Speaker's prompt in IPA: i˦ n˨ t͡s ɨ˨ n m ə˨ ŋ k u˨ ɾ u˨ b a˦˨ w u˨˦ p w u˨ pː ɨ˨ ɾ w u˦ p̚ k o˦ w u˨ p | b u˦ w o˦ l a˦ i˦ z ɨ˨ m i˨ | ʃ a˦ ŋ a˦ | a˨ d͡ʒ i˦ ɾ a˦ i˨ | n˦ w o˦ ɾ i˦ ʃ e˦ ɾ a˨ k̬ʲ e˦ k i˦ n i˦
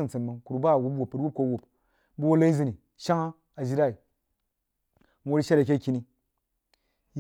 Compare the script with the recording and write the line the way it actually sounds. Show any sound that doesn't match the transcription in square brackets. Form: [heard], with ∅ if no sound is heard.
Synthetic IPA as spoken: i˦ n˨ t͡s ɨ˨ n m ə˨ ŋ k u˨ ɾ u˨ b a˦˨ w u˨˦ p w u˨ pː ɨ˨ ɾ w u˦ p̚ k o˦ w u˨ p | b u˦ w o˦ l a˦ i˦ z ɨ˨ [n] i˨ | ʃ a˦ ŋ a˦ | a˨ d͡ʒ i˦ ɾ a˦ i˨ | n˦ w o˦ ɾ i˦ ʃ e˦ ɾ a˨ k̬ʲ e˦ k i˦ n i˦